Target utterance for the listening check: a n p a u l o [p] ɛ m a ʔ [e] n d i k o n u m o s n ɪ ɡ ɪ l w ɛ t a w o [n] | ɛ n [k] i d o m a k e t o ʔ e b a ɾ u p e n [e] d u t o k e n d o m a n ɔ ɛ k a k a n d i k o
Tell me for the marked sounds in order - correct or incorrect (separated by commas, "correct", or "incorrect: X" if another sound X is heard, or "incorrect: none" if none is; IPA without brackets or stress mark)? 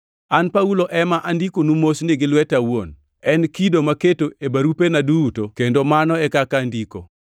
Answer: incorrect: ʔ, incorrect: a, correct, correct, incorrect: a